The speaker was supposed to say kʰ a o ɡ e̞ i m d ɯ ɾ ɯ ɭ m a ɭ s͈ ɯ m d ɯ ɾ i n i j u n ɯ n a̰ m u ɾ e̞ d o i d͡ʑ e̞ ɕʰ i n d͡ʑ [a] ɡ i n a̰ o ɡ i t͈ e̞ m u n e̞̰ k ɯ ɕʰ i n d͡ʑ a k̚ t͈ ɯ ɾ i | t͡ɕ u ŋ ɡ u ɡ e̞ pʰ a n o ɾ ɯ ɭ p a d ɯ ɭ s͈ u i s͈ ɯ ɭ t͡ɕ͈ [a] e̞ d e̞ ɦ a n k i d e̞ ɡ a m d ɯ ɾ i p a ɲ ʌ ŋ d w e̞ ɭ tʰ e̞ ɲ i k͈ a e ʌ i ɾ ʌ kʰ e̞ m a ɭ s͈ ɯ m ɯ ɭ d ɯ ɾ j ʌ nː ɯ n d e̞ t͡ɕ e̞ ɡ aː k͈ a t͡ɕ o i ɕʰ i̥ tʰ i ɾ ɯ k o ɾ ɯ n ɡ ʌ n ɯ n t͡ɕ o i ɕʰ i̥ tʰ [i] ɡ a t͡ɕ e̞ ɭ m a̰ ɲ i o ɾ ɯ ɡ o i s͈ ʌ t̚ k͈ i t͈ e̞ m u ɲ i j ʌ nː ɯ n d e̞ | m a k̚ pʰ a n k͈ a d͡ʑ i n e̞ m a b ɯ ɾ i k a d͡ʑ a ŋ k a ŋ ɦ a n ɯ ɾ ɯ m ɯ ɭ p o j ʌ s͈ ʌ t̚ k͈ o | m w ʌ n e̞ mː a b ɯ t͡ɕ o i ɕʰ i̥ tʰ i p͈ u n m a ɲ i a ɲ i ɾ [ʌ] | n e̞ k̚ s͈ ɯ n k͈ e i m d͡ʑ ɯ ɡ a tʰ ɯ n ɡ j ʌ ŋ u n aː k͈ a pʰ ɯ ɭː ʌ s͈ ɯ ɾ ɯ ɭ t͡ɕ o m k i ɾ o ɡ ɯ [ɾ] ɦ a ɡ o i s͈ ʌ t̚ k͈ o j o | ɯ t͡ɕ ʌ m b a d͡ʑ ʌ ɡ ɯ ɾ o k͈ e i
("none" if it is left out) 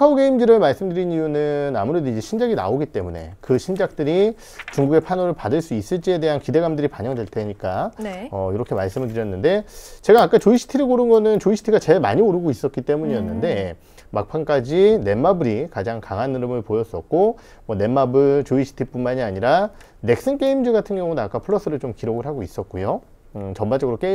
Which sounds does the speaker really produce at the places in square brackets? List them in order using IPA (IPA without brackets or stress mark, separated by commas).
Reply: a, i, i, a, ɭ